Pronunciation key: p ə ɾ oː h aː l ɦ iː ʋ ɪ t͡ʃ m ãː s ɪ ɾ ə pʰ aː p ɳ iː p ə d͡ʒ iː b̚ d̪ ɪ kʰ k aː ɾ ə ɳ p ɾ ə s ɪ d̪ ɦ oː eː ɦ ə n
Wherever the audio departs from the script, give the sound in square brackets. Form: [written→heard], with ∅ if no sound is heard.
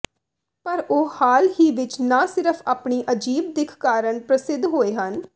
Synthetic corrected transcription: p ə ɾ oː h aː l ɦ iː ʋ ɪ t͡ʃ [m→n] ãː s ɪ ɾ ə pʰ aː p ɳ iː [p→ʔ] ə d͡ʒ iː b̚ d̪ ɪ kʰ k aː ɾ ə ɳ p ɾ ə s ɪ d̪ ɦ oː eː ɦ ə n